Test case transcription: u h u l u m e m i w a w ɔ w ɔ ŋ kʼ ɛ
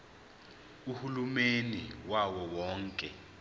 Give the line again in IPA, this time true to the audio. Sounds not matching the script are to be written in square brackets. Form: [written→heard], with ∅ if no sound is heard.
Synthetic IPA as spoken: u h u l u m e [m→n] i w a w ɔ w [ɔ→ɔː] ŋ kʼ ɛ